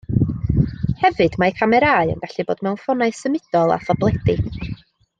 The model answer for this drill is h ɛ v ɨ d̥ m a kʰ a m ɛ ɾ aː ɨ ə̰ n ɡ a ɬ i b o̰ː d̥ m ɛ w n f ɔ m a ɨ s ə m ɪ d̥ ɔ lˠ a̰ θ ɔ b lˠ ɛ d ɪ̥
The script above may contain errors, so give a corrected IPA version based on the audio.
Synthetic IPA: h ɛ v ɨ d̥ m a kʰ a m ɛ ɾ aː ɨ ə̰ n ɡ a ɬ i b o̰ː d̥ m ɛ w n f ɔ n a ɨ s ə m ɪ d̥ ɔ lˠ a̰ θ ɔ b lˠ ɛ d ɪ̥